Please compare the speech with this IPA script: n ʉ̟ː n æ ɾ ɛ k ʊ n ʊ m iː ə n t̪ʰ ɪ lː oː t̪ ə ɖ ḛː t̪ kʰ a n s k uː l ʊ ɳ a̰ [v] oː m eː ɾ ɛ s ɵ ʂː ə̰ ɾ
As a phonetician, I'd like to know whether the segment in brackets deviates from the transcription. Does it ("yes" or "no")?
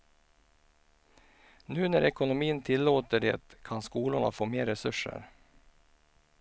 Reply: yes